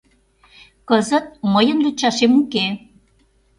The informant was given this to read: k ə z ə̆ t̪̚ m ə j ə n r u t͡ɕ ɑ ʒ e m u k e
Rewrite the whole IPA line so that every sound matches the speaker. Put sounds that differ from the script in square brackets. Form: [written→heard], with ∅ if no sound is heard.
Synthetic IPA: k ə z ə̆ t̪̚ m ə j ə n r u t͡ɕ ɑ [ʒ→ʃ] e m u k e